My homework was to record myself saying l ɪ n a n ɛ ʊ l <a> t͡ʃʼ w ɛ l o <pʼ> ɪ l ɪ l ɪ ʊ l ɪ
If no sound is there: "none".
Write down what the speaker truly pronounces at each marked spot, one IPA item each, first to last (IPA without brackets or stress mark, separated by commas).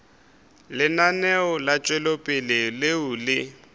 a, pʼ